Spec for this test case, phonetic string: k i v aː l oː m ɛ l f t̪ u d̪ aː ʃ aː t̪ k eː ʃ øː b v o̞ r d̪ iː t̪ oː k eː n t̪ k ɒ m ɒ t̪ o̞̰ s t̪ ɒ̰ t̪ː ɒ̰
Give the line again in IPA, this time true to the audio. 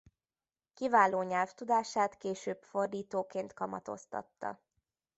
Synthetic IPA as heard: k i v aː l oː ɲ ɛ l f t̪ u d̪ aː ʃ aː t̪ k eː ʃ øː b f o̞ r d̪ iː t̪ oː k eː n t̪ k ɒ m ɒ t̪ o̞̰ s t̪ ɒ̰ t̪ː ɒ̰